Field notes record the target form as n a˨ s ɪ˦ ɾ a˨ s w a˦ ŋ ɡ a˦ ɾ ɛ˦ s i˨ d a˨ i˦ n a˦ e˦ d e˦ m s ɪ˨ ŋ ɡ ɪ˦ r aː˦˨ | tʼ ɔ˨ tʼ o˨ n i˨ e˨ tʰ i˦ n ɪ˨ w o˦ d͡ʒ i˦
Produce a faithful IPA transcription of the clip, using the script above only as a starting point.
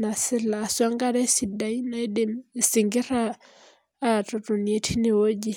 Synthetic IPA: n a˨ s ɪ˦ l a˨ s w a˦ ŋ ɡ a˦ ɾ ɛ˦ s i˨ d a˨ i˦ n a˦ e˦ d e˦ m s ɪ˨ ŋ ɡ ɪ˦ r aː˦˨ | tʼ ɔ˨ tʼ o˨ n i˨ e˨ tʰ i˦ n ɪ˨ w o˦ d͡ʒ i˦